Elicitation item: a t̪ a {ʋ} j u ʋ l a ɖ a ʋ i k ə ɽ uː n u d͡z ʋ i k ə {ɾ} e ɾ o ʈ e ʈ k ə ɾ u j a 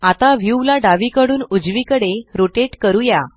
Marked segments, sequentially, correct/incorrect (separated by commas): correct, incorrect